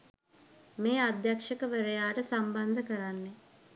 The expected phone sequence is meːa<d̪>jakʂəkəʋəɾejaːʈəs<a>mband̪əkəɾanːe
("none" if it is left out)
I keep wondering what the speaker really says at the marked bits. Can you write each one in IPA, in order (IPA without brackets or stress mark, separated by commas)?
d̪, a